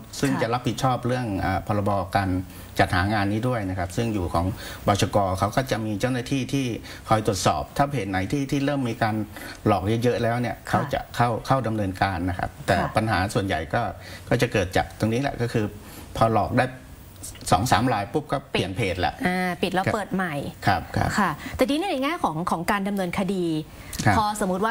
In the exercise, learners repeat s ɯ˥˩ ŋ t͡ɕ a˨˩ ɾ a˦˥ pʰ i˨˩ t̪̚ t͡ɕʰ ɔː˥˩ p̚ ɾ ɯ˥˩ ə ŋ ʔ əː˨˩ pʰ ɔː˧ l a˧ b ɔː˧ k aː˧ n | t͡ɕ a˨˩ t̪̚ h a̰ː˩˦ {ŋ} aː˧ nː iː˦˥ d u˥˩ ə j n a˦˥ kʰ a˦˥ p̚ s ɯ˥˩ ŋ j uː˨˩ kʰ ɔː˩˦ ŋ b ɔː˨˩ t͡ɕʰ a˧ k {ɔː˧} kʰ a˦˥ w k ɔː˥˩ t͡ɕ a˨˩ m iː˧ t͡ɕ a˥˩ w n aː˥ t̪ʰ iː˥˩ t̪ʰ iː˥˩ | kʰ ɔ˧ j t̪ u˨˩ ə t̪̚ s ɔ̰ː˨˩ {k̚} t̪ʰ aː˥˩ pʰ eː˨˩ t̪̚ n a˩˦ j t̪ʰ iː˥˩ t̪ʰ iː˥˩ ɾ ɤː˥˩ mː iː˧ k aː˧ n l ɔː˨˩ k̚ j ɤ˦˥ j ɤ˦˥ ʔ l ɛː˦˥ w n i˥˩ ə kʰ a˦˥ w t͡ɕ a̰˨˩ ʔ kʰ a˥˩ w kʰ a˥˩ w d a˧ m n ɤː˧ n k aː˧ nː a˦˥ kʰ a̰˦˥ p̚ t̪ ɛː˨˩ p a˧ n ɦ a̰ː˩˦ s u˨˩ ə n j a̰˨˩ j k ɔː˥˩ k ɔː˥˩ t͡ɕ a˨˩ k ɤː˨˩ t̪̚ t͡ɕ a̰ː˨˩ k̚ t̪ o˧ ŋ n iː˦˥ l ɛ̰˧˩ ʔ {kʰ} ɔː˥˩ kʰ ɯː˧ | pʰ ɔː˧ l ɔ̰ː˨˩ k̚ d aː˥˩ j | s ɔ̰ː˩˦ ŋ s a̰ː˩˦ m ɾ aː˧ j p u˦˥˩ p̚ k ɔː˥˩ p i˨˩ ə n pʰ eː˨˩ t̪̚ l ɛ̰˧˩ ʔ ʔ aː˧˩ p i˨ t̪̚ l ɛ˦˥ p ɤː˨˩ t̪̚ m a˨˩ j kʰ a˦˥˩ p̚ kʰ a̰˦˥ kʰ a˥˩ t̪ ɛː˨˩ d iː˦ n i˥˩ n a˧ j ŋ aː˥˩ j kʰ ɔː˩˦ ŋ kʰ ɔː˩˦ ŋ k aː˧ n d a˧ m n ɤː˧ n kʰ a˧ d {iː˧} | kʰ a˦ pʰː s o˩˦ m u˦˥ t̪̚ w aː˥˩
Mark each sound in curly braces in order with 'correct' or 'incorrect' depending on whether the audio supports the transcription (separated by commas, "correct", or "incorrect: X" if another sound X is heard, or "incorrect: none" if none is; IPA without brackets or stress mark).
correct, correct, incorrect: p̚, incorrect: k, correct